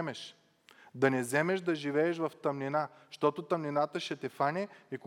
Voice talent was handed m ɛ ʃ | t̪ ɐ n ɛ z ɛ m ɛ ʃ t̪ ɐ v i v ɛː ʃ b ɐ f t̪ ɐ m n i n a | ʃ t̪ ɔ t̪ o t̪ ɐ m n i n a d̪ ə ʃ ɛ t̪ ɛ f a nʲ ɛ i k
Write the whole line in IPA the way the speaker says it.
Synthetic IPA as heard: m ɛ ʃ | d̪ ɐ n ɛ z ɛ m ɛ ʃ d̪ ɐ ʒ i v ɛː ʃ v ɐ f t̪ ɐ m n i n a | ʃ t̪ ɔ t̪ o t̪ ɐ m n i n a t̪ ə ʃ ɛ t̪ ɛ f a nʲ ɛ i k